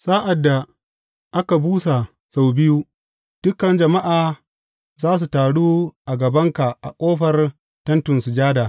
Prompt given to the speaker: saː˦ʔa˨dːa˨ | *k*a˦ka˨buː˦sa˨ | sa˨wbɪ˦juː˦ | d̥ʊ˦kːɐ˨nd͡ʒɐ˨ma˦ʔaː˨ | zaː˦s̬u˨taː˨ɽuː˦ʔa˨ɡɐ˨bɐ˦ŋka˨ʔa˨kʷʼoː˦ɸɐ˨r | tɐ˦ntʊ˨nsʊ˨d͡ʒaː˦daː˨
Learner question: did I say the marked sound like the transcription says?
no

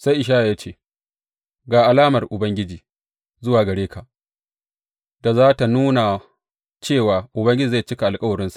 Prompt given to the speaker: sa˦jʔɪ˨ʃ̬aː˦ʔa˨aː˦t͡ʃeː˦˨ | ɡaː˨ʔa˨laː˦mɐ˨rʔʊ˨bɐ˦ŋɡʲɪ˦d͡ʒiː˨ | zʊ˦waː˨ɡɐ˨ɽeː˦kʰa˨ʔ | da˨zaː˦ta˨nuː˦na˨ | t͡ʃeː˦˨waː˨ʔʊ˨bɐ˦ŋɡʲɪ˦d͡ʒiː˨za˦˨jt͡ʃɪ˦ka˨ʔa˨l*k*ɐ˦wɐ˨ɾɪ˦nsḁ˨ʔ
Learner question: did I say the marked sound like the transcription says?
no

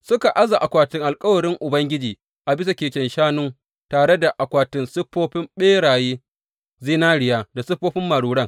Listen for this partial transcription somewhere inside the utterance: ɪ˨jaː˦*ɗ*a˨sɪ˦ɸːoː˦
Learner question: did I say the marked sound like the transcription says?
no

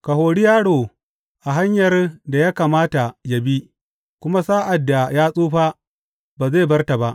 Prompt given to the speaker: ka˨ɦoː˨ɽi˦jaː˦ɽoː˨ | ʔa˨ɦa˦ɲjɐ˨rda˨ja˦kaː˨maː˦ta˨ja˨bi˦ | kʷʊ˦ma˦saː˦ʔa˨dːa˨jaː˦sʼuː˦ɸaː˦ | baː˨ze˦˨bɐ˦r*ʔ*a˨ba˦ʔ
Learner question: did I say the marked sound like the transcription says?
no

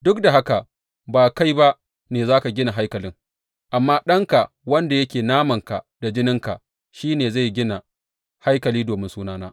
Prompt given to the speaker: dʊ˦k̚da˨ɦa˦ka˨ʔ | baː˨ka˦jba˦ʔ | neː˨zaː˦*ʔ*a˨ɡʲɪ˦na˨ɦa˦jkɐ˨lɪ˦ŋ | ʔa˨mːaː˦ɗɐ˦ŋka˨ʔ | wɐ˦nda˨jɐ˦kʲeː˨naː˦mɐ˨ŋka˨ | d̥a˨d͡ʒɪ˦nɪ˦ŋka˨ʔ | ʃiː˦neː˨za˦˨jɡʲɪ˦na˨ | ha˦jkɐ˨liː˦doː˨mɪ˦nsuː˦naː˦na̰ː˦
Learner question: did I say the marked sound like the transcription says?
no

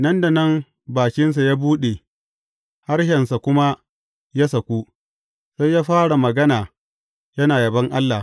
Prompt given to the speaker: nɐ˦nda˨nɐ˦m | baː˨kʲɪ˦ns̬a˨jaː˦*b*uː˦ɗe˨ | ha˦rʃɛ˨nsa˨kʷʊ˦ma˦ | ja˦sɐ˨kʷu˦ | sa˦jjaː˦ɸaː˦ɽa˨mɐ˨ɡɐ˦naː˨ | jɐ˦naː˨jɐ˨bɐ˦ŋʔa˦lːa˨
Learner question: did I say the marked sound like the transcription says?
yes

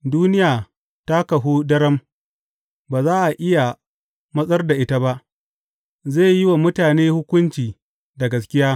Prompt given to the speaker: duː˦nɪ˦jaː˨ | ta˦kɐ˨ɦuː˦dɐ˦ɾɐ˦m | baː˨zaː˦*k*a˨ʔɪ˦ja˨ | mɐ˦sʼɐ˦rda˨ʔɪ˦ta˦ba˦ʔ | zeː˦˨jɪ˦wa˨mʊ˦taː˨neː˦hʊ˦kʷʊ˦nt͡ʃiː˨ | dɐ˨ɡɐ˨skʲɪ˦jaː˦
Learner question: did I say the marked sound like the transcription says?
no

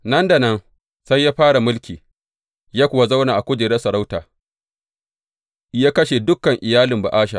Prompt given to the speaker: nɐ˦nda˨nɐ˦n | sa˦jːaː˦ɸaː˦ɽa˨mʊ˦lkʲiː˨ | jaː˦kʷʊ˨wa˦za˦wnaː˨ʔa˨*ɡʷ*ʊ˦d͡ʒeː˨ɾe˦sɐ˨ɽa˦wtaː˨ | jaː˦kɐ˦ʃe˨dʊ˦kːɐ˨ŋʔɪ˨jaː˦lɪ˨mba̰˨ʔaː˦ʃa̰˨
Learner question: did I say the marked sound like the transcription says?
no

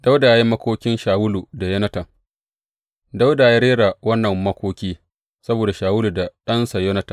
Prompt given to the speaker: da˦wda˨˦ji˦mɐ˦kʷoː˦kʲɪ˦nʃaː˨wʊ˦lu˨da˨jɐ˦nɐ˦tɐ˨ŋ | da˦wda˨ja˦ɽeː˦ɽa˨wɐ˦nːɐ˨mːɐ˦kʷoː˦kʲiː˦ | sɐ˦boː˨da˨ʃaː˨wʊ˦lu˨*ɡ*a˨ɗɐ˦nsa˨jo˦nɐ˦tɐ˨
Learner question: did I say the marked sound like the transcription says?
no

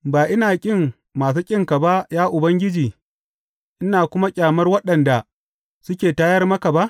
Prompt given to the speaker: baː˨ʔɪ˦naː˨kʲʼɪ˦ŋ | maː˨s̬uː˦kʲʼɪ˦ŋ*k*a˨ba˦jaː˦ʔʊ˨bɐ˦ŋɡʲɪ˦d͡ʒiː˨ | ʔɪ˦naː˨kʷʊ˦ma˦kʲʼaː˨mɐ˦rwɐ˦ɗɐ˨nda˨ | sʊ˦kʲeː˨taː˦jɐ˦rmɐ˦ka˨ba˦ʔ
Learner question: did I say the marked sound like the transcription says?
yes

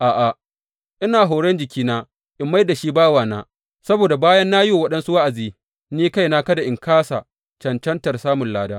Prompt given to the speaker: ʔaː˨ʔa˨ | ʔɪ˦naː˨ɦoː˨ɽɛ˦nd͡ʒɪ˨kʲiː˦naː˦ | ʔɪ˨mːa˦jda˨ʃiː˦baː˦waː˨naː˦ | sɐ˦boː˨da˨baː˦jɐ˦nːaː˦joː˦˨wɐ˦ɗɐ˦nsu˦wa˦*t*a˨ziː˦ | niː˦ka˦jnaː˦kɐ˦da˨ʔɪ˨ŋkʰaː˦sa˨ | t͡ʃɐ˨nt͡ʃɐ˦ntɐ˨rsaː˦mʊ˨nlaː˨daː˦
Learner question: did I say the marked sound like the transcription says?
no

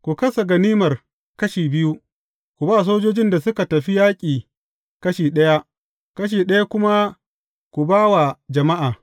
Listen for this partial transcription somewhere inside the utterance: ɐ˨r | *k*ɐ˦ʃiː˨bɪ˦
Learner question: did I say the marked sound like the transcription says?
yes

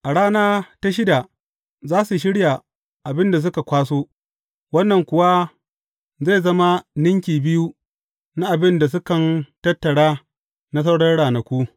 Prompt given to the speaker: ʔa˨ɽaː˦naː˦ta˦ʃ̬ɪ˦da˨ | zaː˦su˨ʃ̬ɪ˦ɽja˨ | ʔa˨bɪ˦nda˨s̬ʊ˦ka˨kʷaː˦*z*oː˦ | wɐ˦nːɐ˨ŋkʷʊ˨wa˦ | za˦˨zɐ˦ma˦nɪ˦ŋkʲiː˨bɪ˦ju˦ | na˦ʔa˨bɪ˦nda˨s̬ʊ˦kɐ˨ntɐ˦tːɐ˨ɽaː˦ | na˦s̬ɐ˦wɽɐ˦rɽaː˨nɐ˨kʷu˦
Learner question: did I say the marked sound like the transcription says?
no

